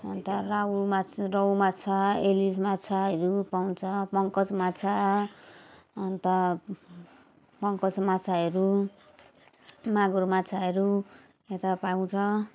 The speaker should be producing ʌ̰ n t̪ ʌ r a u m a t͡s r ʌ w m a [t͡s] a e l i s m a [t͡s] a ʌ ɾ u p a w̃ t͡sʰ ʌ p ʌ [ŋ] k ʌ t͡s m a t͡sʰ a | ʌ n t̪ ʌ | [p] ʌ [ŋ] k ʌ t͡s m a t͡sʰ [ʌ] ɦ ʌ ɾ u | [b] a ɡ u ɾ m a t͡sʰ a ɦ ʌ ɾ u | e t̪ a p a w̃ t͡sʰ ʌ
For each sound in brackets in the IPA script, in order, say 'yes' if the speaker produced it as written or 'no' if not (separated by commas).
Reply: no, no, yes, yes, yes, no, no